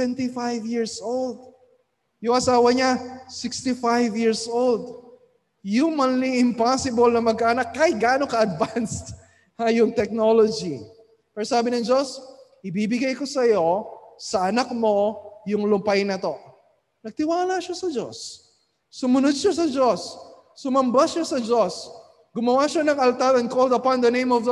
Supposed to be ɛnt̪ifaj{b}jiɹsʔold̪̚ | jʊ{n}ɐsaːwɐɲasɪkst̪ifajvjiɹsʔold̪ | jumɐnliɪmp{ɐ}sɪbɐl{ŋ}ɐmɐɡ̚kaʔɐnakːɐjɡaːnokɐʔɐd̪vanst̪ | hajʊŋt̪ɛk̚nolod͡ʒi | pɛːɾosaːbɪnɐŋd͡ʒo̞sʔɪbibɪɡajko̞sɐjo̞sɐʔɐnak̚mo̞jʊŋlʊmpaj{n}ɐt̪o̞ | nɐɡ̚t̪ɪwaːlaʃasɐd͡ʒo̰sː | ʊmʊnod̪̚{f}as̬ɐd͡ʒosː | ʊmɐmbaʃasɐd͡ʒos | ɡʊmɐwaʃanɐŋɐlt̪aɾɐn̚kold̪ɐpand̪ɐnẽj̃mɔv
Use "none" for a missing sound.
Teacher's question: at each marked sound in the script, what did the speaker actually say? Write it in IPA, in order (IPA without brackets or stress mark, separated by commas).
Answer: v, ŋ, a, n, n, ʃ